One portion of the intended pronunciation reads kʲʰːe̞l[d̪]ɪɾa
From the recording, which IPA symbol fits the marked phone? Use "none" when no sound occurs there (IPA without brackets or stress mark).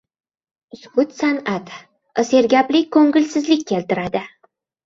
t̪